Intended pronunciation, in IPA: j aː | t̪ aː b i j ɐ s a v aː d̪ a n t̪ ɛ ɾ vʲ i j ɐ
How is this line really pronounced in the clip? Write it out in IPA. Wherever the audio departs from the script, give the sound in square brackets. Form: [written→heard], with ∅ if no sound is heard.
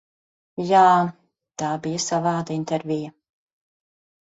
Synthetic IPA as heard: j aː | t̪ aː b i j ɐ s a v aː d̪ [a→i] n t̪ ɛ ɾ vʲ i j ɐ